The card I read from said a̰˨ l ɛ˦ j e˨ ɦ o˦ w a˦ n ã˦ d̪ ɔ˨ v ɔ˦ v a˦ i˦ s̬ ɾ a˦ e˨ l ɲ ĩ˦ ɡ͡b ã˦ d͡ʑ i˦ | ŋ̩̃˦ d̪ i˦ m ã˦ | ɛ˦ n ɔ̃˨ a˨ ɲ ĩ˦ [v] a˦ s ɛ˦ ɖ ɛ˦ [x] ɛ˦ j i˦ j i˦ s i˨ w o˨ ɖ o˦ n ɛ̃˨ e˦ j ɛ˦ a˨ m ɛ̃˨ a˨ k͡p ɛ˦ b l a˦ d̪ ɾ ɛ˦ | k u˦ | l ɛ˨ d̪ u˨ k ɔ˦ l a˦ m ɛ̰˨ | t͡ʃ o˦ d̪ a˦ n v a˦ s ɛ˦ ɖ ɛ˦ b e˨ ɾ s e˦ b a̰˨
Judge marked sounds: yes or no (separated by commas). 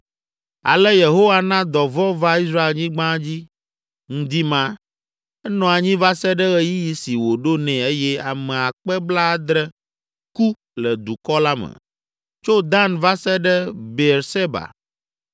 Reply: yes, no